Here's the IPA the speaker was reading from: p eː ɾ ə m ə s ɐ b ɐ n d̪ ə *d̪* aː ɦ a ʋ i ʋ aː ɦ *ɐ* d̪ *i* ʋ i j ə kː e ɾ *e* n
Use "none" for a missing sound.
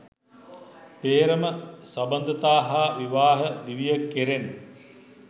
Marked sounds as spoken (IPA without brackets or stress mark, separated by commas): t̪, ə, i, e